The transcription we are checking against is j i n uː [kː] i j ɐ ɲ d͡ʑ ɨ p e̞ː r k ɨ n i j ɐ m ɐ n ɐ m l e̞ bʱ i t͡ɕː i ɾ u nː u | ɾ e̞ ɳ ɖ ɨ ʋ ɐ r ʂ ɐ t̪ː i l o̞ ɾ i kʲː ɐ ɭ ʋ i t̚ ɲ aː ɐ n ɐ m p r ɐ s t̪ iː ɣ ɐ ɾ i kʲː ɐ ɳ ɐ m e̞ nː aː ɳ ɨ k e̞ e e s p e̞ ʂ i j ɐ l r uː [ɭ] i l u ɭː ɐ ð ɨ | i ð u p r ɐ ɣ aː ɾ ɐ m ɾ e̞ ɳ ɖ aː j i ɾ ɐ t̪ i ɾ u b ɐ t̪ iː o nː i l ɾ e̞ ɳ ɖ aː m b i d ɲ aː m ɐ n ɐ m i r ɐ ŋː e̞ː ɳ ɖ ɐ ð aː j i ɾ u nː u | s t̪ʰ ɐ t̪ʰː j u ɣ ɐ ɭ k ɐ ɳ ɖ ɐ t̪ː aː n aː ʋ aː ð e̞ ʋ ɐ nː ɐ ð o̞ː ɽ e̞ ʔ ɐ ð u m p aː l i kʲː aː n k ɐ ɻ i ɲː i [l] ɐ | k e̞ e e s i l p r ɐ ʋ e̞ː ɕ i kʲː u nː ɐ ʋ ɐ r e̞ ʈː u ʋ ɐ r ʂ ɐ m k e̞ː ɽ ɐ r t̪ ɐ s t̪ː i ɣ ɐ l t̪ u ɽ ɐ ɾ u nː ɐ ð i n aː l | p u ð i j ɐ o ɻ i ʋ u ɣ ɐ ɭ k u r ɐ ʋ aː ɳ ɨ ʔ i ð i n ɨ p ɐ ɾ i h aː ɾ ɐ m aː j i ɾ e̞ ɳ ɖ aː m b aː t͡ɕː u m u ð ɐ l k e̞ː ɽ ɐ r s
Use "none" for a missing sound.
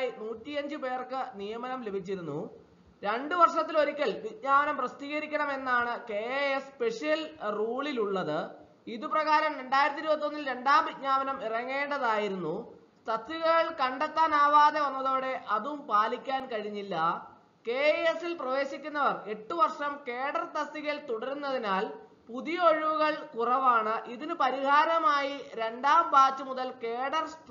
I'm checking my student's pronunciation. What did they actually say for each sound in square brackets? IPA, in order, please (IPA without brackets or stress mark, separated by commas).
tː, ɭ, lː